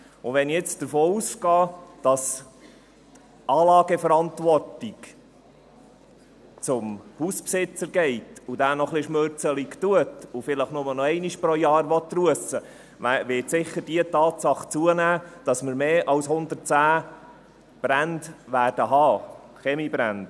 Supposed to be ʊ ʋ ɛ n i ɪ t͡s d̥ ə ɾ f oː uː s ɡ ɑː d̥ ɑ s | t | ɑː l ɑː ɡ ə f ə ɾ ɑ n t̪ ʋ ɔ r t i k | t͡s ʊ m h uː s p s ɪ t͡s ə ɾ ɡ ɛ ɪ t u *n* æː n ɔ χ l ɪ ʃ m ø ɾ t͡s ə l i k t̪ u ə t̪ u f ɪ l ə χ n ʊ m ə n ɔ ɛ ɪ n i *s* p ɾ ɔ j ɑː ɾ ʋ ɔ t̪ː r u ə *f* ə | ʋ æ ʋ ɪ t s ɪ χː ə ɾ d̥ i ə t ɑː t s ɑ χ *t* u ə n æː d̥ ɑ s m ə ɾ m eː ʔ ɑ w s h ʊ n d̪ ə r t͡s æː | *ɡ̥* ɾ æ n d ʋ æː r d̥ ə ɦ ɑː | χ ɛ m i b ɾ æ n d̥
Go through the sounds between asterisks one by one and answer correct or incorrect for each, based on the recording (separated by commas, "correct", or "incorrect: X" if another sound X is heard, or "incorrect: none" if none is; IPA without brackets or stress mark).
incorrect: d, incorrect: ʃ, incorrect: s, incorrect: t͡s, incorrect: b̥